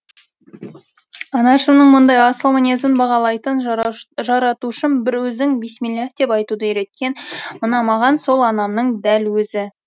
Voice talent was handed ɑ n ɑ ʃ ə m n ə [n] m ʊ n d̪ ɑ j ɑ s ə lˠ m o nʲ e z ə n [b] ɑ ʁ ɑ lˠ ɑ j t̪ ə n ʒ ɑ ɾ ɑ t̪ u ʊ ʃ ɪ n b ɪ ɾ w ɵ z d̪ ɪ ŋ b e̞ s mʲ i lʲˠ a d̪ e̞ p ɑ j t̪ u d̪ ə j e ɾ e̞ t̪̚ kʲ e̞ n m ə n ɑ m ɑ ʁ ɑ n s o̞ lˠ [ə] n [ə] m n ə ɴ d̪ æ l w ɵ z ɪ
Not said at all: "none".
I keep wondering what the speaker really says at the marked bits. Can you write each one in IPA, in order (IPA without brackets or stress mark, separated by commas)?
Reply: ɴ, b, ɑ, ɑ